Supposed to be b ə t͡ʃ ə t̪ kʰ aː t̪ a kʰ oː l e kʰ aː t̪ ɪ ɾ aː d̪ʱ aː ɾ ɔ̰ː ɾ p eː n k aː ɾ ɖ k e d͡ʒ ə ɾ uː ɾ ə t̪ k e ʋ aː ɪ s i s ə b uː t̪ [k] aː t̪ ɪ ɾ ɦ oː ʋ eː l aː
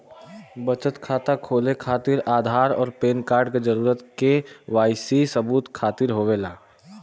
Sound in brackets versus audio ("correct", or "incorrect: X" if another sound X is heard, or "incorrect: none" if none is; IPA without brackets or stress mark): incorrect: kʰ